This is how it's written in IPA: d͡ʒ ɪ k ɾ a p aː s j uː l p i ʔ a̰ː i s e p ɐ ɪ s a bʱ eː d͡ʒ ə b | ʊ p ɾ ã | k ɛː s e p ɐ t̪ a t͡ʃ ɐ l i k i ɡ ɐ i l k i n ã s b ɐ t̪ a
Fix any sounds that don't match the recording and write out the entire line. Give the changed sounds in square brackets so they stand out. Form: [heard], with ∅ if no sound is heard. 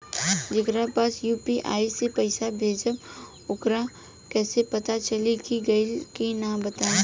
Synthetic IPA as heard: d͡ʒ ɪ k ɾ a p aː s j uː [∅] p i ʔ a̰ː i s e p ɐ ɪ s a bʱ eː d͡ʒ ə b | ʊ [k] ɾ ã | k ɛː s e p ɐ t̪ a t͡ʃ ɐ l i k i ɡ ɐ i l k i n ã [∅] b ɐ t̪ a